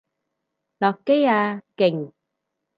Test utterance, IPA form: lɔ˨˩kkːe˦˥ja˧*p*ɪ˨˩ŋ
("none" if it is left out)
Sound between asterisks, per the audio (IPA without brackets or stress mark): k